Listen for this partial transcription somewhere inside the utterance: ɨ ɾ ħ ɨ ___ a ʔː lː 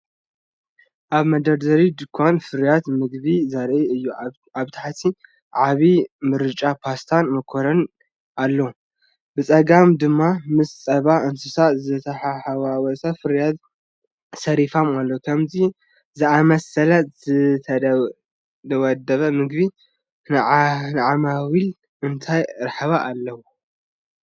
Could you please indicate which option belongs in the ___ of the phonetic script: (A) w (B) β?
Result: B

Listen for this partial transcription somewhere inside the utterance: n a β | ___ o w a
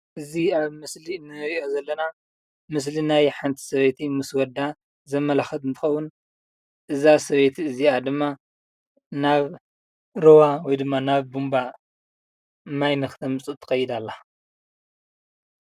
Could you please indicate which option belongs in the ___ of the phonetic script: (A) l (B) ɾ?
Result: B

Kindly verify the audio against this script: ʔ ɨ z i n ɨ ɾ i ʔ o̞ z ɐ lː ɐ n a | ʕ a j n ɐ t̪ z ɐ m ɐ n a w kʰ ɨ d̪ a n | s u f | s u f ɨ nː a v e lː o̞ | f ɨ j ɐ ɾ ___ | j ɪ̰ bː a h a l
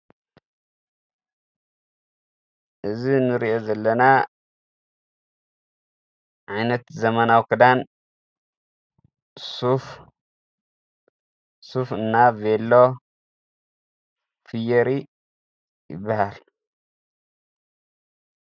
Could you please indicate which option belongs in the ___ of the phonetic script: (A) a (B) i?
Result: B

